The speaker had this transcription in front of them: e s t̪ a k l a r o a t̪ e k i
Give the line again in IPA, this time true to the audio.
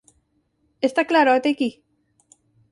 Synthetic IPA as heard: e s t̪ a k l a ɾ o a t̪ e k i